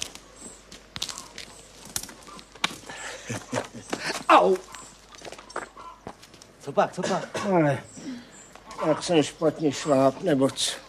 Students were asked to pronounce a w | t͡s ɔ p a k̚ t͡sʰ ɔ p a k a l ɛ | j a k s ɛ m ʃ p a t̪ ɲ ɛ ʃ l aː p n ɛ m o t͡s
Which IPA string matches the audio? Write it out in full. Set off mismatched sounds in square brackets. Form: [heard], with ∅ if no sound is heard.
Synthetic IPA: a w | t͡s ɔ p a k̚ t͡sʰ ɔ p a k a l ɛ | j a k s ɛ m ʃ p a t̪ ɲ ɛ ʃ l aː p n ɛ [b] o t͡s